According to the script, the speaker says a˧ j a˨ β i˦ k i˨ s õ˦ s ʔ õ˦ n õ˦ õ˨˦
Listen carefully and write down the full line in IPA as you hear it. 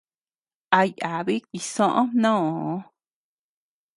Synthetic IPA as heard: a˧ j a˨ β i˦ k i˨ s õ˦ ʔ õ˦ n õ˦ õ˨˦

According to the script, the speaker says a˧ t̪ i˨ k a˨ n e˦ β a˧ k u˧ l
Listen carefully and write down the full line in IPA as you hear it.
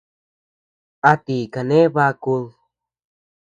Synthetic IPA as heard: a˧ t̪ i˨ k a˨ n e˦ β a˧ k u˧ l

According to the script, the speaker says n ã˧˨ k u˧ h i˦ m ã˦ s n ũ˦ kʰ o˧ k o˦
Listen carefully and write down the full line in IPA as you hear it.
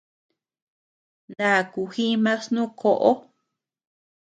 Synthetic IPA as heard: n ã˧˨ k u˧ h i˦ m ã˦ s n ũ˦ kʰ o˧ ʔ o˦

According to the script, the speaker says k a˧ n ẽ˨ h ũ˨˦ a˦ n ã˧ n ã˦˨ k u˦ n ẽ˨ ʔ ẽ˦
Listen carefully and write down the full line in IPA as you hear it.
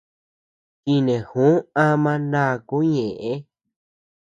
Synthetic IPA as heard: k i˧ n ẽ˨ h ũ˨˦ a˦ m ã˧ n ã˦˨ k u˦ ɲ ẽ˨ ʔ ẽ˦

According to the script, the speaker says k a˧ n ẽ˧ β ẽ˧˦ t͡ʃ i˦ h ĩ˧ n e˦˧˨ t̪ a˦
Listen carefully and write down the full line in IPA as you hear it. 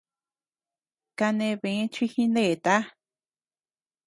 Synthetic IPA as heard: k a˧ n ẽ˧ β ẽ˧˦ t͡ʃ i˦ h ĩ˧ n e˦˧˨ t̪ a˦

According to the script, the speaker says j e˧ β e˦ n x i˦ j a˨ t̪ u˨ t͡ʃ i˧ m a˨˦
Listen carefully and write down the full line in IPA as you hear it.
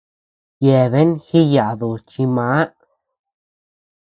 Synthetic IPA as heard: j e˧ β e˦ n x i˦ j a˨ d̪ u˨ t͡ʃ i˧ m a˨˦

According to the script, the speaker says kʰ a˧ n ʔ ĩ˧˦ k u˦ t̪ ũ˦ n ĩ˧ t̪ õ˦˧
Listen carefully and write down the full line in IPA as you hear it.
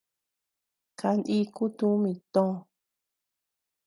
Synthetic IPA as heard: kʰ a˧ n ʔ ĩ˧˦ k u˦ t̪ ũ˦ m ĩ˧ t̪ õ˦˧

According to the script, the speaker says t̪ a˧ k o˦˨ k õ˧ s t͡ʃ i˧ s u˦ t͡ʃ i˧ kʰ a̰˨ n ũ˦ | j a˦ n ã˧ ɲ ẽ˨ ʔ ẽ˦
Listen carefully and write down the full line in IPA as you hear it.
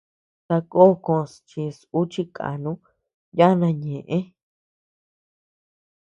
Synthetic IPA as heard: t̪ a˧ k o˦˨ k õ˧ s t͡ʃ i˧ s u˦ t͡ʃ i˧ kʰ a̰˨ n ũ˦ | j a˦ n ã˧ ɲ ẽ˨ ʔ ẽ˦

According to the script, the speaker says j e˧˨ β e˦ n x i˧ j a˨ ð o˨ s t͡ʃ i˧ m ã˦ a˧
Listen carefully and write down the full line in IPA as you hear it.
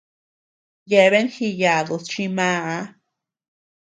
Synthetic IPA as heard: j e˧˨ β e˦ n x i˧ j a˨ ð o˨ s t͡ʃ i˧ m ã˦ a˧

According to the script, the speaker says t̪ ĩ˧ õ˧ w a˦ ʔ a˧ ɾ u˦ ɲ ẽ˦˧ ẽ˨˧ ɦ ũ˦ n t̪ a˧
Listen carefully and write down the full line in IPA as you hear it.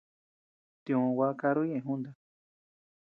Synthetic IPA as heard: t̪ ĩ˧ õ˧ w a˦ k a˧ ɾ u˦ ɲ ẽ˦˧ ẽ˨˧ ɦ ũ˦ n d̪ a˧

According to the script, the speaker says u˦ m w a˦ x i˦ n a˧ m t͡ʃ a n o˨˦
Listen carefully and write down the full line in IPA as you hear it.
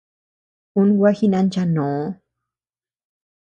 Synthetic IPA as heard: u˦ n w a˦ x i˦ n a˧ n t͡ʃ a n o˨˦

